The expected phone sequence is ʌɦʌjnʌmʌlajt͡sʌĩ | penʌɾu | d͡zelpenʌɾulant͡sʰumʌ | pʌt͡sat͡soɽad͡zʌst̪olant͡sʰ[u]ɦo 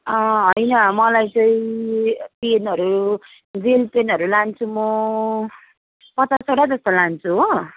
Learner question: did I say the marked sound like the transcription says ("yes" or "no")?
yes